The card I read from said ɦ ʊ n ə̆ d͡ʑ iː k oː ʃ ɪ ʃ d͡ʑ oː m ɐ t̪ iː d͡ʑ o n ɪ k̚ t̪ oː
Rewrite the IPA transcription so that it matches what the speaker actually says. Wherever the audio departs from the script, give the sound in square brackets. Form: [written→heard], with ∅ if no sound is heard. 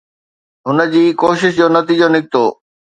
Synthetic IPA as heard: ɦ ʊ n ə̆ d͡ʑ iː k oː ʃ ɪ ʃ d͡ʑ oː [m→n] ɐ t̪ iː d͡ʑ o n ɪ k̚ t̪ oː

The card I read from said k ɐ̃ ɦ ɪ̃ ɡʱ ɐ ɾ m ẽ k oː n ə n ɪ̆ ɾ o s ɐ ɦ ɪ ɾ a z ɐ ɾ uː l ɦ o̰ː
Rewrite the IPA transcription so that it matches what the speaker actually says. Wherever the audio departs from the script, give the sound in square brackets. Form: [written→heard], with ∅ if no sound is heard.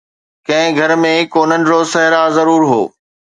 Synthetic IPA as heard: k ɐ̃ ɦ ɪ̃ ɡʱ ɐ ɾ m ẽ k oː n ə n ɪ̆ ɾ o s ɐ ɦ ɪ ɾ a z ɐ ɾ uː [l→ɾ] ɦ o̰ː

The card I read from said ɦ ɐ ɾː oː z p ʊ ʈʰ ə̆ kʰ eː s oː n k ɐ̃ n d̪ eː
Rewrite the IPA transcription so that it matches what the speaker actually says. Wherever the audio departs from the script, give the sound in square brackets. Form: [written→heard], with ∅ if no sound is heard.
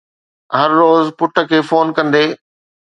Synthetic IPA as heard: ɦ ɐ ɾː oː z p ʊ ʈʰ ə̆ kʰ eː [s→f] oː n k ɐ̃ n d̪ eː

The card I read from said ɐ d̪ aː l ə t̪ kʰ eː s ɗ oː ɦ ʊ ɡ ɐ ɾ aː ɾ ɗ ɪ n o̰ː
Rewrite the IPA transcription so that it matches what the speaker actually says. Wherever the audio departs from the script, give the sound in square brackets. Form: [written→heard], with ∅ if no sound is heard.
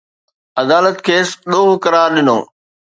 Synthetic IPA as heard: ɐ d̪ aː l ə t̪ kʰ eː s ɗ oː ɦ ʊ [ɡ→k] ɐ ɾ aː ɾ ɗ ɪ n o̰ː

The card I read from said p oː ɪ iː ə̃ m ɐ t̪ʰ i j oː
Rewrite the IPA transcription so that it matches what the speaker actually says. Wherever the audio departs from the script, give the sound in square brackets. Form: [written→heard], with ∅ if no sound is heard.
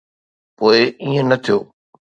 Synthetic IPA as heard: p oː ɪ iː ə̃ [m→n] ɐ t̪ʰ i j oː

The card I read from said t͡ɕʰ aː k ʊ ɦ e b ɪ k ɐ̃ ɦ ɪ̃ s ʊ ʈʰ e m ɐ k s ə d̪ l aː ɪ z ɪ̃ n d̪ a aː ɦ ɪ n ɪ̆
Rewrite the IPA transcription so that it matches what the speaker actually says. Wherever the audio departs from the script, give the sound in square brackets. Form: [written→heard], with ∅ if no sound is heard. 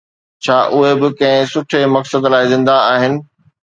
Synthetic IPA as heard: t͡ɕʰ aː [k→ʔ] ʊ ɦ e b ɪ k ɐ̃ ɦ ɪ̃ s ʊ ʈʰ e m ɐ k s ə d̪ l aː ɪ z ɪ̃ n d̪ a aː ɦ ɪ n ɪ̆

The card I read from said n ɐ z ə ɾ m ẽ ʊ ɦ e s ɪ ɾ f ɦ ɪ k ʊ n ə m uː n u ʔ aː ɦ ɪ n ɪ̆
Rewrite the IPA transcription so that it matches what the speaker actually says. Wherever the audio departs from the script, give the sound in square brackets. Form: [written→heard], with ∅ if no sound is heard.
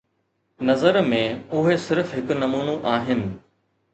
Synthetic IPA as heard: n ɐ z ə ɾ m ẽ ʊ ɦ e s ɪ ɾ f ɦ ɪ k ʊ n [ə→ɐ] m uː n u ʔ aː ɦ ɪ n ɪ̆

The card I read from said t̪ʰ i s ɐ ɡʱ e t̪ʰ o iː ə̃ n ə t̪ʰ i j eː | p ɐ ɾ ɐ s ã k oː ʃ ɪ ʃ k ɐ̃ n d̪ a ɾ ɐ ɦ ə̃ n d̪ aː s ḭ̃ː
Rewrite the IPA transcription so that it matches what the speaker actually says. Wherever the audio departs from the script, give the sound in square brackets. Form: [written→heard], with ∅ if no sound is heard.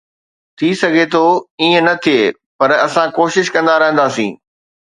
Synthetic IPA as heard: t̪ʰ i s ɐ ɡʱ e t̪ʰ o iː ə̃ n [ə→ɐ] t̪ʰ i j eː | p ɐ ɾ ɐ s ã k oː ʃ ɪ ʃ k ɐ̃ n d̪ a ɾ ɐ ɦ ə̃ n d̪ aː s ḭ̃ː

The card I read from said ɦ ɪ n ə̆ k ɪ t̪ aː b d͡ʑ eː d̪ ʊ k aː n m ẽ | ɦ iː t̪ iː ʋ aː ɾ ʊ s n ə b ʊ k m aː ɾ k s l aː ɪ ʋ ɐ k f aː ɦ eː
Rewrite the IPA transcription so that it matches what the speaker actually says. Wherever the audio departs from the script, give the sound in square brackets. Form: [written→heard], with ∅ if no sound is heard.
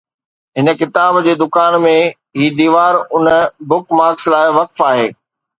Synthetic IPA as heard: ɦ ɪ n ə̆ k ɪ t̪ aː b d͡ʑ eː d̪ ʊ k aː n m ẽ | ɦ iː [t̪→d̪] iː ʋ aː ɾ ʊ [s→∅] n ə b ʊ k m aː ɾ k s l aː ɪ ʋ ɐ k f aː ɦ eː

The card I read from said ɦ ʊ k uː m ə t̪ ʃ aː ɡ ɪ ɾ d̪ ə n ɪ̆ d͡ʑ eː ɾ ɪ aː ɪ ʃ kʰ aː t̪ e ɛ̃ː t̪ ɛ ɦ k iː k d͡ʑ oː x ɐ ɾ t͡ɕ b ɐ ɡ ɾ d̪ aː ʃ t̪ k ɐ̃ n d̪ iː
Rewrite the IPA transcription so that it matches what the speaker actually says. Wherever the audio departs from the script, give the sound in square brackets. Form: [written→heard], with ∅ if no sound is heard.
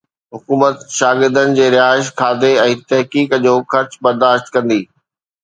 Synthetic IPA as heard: ɦ ʊ k uː m ə t̪ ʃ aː ɡ ɪ ɾ d̪ ə n ɪ̆ d͡ʑ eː ɾ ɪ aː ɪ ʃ kʰ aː [t̪→d̪] e ɛ̃ː t̪ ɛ ɦ k iː k d͡ʑ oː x ɐ ɾ t͡ɕ b ɐ [ɡ→∅] ɾ d̪ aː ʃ t̪ k ɐ̃ n d̪ iː

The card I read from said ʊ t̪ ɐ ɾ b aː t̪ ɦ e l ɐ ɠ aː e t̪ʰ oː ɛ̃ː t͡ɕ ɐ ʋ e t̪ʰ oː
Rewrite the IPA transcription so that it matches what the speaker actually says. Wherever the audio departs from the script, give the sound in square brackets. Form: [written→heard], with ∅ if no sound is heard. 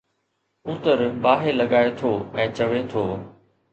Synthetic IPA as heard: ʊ t̪ [ɐ→ə] ɾ b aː [t̪→∅] ɦ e l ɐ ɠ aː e t̪ʰ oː ɛ̃ː t͡ɕ ɐ ʋ e t̪ʰ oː

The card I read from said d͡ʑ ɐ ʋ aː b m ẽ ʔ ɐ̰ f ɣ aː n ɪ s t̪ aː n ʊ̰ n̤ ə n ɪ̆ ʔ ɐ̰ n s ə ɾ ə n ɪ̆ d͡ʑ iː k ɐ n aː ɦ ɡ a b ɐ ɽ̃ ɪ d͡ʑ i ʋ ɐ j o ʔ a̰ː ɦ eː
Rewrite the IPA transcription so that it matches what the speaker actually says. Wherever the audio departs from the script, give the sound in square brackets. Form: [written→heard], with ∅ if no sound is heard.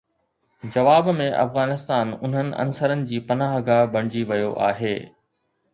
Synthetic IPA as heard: d͡ʑ ɐ ʋ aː b m ẽ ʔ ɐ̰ f ɣ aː n ɪ s t̪ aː n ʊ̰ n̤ ə n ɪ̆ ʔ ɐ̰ n s ə ɾ ə n ɪ̆ d͡ʑ iː [k→p] ɐ n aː ɦ ɡ a b ɐ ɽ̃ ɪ d͡ʑ i ʋ ɐ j o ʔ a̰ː ɦ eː

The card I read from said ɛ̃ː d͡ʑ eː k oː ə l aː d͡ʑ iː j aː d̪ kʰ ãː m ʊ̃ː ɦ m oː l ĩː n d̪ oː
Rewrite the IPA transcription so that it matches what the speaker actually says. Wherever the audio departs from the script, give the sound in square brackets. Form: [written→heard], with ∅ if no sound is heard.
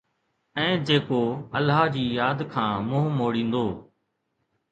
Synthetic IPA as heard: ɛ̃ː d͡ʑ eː k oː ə l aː d͡ʑ iː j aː d̪ kʰ ãː m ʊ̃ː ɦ m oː [l→ɽ] ĩː n d̪ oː

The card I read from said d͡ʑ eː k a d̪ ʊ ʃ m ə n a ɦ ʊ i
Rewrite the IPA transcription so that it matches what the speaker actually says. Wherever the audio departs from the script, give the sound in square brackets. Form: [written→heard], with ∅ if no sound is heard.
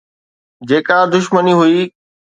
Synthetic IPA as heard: d͡ʑ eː k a d̪ ʊ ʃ m ə n [a→i] ɦ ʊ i

